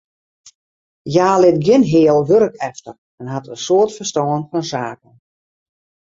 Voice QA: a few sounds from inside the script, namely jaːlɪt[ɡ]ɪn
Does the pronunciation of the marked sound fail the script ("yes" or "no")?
no